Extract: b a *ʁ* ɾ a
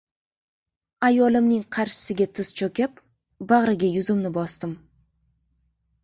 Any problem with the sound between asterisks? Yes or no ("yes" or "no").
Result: no